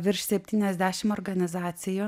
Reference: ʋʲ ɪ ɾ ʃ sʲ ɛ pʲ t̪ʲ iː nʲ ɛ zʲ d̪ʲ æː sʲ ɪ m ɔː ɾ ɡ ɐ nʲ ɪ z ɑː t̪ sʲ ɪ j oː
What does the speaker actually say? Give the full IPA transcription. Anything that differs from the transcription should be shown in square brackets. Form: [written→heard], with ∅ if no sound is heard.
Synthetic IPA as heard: ʋʲ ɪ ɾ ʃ sʲ ɛ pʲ t̪ʲ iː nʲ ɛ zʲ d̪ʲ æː [sʲ→ʃʲ] ɪ m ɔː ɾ ɡ ɐ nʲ ɪ z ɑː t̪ sʲ ɪ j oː

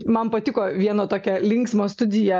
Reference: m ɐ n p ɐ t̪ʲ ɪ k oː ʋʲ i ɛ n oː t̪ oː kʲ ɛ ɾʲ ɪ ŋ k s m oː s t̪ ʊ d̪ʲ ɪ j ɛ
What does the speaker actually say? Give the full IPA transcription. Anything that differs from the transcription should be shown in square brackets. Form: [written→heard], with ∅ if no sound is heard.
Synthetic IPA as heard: m ɐ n p ɐ t̪ʲ ɪ k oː ʋʲ i ɛ n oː t̪ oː kʲ ɛ [ɾʲ→lʲ] ɪ ŋ k s m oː s t̪ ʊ d̪ʲ ɪ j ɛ

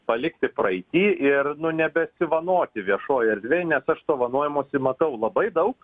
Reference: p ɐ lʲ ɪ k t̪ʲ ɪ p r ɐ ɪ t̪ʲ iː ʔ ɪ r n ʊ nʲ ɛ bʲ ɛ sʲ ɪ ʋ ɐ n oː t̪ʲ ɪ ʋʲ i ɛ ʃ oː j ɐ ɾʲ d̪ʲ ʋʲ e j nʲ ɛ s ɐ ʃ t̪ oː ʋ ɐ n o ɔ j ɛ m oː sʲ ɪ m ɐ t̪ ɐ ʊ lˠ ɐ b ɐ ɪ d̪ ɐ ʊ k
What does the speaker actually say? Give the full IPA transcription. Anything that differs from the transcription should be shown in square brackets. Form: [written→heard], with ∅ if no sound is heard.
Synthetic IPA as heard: p ɐ lʲ ɪ k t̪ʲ ɪ p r ɐ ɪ t̪ʲ iː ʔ ɪ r n ʊ nʲ ɛ bʲ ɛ sʲ ɪ ʋ ɐ n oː t̪ʲ ɪ ʋʲ i ɛ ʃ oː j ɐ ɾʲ d̪ʲ ʋʲ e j nʲ ɛ s ɐ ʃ t̪ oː ʋ ɐ n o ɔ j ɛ m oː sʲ ɪ m ɐ t̪ ɐ ʊ lˠ ɐ b ɐ ɪ d̪ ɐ ʊ k

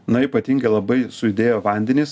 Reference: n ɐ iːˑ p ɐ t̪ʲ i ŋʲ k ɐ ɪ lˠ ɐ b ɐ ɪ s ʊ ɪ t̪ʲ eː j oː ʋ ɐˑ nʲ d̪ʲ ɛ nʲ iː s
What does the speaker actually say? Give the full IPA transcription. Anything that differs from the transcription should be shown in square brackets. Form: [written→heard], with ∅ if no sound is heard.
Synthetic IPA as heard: n ɐ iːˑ p ɐ t̪ʲ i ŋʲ [k→ɡ] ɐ ɪ lˠ ɐ b ɐ ɪ s ʊ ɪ [t̪ʲ→d̪ʲ] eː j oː ʋ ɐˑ nʲ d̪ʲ ɛ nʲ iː s

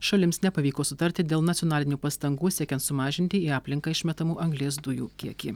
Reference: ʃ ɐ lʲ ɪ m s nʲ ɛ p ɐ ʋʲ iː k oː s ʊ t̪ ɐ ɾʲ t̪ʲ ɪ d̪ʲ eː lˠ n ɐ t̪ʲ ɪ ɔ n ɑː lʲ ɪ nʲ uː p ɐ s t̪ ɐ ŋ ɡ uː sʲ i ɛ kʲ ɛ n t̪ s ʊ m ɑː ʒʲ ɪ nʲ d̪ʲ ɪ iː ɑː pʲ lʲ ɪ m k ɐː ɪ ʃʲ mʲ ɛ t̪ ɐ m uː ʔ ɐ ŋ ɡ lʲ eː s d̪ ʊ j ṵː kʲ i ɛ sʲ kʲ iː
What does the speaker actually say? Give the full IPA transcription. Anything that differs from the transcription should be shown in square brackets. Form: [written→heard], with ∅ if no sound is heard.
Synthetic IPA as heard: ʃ ɐ lʲ ɪ m s nʲ ɛ p ɐ ʋʲ iː k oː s ʊ t̪ ɐ ɾʲ t̪ʲ ɪ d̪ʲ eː lˠ n ɐ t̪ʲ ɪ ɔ n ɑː lʲ ɪ nʲ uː p ɐ s t̪ ɐ ŋ ɡ uː sʲ i ɛ kʲ ɛ n t̪ s ʊ m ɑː ʒʲ ɪ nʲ [d̪ʲ→t̪ʲ] ɪ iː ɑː pʲ lʲ ɪ [m→ŋ] k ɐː ɪ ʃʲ mʲ ɛ t̪ ɐ m uː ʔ ɐ ŋ ɡ lʲ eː s d̪ ʊ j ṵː kʲ i ɛ [sʲ→∅] kʲ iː

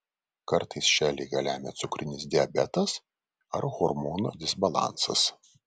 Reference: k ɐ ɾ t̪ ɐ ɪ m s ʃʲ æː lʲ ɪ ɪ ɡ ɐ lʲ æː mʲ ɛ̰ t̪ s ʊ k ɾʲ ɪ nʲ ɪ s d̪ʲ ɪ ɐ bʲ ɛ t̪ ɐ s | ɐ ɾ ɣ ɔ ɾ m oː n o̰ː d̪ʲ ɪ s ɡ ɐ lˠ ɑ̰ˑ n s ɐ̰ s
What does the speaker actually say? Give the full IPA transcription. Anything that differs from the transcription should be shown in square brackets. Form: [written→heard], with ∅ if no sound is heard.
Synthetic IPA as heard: k ɐ ɾ t̪ ɐ ɪ [m→∅] s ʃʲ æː lʲ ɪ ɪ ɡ ɐ lʲ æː mʲ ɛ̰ t̪ s ʊ k ɾʲ ɪ nʲ ɪ s d̪ʲ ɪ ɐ bʲ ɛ t̪ ɐ s | ɐ ɾ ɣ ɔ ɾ m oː n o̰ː d̪ʲ ɪ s [ɡ→b] ɐ lˠ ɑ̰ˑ n s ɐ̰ s

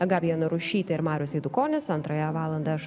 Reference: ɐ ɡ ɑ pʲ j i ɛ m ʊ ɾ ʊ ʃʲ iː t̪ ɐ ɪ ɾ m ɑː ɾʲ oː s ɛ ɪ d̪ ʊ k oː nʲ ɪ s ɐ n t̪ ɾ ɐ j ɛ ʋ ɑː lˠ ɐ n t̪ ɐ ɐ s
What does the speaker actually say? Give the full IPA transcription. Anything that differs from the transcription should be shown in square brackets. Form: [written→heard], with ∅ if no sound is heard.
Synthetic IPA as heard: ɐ ɡ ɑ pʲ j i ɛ [m→n] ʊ ɾ ʊ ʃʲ iː t̪ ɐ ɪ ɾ m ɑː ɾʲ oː s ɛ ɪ d̪ ʊ k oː nʲ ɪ s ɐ n t̪ ɾ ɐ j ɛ ʋ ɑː lˠ ɐ n [t̪→d̪] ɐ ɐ [s→ʃ]

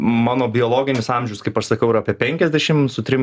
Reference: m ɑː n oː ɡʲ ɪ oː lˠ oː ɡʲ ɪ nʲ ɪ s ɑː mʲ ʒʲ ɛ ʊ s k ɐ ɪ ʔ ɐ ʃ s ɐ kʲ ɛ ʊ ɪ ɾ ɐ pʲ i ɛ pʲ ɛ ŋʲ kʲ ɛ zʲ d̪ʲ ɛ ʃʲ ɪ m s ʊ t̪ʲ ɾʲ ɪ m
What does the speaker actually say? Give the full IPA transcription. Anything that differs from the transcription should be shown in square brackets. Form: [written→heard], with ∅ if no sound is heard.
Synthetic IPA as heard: m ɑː n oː [ɡʲ→bʲ] ɪ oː lˠ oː ɡʲ ɪ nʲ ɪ s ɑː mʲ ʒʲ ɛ ʊ s k ɐ ɪ [ʔ→p] ɐ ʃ s ɐ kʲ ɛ ʊ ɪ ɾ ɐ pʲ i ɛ pʲ ɛ ŋʲ kʲ ɛ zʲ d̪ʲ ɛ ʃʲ ɪ m s ʊ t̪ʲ ɾʲ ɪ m

